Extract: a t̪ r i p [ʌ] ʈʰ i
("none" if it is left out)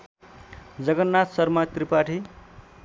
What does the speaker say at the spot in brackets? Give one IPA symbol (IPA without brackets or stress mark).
a